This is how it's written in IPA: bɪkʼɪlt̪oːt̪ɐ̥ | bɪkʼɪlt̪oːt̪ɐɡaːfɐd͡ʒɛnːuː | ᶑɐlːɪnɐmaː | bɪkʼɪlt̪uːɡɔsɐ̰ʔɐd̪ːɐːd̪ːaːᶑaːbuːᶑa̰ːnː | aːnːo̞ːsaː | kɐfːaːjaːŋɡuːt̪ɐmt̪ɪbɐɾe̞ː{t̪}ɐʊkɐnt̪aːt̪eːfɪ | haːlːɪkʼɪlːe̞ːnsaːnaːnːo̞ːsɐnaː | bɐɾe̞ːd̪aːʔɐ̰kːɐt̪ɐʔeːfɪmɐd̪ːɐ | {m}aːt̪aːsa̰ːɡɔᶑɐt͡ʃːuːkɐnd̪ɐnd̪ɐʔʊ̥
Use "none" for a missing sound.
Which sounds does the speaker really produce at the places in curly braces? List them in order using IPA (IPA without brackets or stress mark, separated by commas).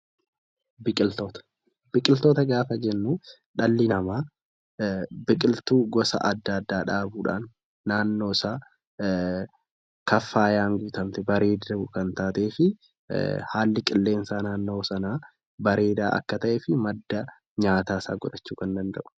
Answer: d̪, ɲ